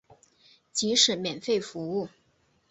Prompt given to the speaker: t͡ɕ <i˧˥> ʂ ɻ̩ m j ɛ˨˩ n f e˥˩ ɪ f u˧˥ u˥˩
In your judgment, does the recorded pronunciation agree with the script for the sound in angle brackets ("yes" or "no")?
yes